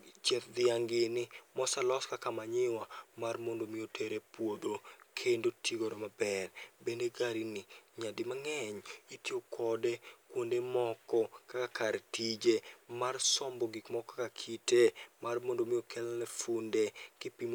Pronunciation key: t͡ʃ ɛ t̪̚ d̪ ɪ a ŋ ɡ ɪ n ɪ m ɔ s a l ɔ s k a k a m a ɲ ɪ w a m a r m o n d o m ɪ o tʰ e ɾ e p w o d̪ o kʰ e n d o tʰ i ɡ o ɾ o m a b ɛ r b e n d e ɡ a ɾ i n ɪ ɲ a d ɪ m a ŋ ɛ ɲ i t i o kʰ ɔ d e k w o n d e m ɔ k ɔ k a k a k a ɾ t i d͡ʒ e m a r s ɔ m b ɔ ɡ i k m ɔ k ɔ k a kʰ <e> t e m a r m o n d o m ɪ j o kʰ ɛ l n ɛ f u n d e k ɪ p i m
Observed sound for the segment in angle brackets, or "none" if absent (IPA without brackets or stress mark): i